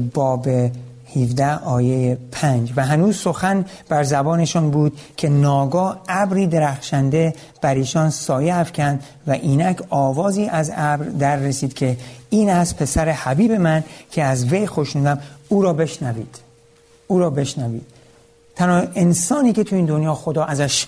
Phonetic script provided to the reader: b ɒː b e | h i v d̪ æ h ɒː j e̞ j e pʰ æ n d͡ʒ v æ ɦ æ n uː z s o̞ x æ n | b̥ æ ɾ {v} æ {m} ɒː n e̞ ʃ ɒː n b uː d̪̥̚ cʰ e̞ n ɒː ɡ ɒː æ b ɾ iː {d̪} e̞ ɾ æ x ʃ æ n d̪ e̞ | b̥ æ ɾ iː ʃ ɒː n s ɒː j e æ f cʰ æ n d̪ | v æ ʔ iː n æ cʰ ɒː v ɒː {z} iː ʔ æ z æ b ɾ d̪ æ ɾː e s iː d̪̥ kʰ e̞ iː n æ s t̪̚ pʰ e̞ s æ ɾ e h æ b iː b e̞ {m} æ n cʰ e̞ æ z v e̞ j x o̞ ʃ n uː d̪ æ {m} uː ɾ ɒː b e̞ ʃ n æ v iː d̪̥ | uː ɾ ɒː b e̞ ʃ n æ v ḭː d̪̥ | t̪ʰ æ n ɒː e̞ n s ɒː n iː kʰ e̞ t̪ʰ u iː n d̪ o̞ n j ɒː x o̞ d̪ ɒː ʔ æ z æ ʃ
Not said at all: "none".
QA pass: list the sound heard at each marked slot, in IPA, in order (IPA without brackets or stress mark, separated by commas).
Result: z, b, d̪, z, m, m